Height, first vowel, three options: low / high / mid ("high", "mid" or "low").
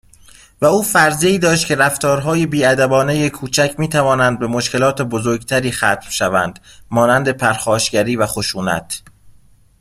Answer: low